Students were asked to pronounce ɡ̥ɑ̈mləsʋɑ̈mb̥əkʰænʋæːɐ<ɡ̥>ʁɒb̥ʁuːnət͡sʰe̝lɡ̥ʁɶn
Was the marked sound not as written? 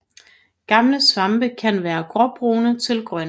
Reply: no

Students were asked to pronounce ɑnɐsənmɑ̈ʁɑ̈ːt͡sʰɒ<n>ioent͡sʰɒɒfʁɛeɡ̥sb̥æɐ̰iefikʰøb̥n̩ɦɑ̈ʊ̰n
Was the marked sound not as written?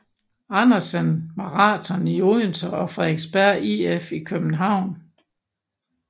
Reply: no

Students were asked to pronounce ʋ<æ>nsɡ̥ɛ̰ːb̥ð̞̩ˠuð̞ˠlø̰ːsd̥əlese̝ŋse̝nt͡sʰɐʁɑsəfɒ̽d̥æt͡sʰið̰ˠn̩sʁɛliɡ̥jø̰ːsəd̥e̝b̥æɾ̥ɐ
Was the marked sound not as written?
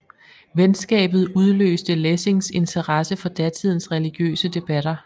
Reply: yes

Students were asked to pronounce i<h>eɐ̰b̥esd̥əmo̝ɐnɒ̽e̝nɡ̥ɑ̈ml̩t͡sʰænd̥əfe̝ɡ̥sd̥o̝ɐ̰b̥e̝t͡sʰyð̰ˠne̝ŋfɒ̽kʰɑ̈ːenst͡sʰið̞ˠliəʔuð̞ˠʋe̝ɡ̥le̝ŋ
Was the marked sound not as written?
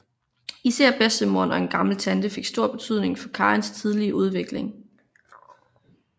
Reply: yes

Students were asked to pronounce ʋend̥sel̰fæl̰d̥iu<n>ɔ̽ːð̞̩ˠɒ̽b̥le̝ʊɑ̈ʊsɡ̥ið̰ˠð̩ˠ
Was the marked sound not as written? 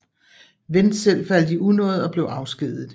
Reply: no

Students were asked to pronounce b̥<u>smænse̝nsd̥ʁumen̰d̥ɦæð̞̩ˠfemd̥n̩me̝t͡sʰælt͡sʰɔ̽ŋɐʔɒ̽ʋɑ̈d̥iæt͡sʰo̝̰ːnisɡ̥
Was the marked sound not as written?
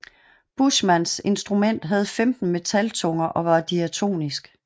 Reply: no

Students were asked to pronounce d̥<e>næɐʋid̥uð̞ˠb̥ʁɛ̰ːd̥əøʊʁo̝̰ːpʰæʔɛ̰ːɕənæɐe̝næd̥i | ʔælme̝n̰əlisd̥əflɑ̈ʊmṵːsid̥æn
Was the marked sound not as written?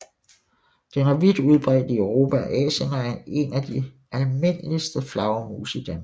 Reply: no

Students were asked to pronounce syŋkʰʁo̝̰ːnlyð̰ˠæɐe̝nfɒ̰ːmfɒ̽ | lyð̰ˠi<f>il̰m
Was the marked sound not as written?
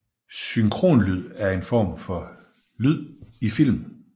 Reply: no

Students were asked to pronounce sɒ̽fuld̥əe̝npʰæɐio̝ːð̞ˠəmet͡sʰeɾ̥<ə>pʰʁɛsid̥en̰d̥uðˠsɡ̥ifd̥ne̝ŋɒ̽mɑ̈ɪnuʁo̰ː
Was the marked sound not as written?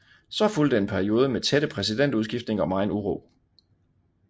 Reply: no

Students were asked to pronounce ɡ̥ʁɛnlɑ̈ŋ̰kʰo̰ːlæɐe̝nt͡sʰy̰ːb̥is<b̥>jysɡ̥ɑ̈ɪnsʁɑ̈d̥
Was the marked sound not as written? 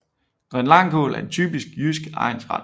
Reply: yes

